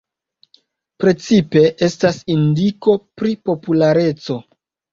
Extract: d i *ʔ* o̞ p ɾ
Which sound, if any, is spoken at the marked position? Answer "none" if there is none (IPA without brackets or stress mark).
k